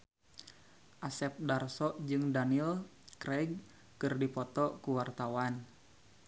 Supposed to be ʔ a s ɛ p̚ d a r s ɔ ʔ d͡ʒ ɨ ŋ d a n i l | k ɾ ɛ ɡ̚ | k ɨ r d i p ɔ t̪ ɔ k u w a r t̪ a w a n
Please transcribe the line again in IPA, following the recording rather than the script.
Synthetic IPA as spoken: ʔ a s ɛ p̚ d a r s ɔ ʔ d͡ʒ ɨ ŋ d a n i l | k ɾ ɛ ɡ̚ | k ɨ r d i p ɔ t̪ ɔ k u w a r t̪ a w a n

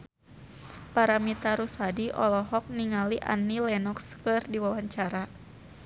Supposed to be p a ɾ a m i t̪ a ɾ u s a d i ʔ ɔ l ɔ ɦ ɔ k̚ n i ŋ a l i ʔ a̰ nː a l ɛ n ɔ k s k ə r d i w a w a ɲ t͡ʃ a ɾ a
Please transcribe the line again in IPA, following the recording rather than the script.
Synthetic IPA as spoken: p a ɾ a m i t̪ a ɾ u s a d i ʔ ɔ l ɔ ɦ ɔ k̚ n i ŋ a l i ʔ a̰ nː i l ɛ n ɔ k s k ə r d i w a w a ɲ t͡ʃ a ɾ a

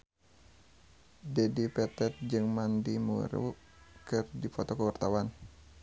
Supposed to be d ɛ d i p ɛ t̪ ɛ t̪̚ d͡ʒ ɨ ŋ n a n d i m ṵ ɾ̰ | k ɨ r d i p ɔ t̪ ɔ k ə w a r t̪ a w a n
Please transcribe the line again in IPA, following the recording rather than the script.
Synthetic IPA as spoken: d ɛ d i p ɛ t̪ ɛ t̪̚ d͡ʒ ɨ ŋ m a n d i m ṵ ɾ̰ | k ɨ r d i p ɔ t̪ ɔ k ə w a r t̪ a w a n

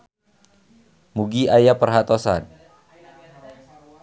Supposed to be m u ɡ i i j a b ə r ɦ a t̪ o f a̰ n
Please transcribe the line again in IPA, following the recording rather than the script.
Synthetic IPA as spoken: m u ɡ i a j a p ə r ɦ a t̪ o s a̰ n

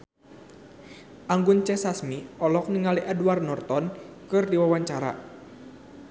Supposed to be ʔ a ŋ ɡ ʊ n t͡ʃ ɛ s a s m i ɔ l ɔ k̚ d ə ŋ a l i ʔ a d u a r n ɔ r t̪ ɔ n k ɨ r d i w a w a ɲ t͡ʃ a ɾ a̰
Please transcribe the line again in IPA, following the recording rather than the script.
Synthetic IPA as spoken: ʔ a ŋ ɡ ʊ n t͡ʃ ɛ s a s m i ɔ l ɔ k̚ n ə ŋ a l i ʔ a d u a r n ɔ r t̪ ɔ n k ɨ r d i w a w a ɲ t͡ʃ a ɾ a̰

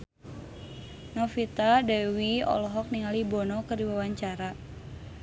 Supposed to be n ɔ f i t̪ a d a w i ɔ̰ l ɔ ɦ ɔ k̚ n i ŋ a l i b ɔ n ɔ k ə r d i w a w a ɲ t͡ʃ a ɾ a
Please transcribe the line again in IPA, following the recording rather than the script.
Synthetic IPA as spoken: n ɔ f i t̪ a d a w i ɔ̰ l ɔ ɦ ɔ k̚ n i ŋ a l i b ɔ n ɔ k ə r d i w a w a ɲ t͡ʃ a ɾ a

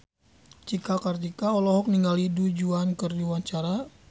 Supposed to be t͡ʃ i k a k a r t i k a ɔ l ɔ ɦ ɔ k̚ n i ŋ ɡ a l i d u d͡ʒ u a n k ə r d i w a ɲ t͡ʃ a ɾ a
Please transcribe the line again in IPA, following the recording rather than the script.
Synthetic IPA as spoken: t͡ʃ i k a k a r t i k a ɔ l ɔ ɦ ɔ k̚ n i ŋ ɡ a l i d u d͡ʒ u a n k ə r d i w a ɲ t͡ʃ a ɾ a

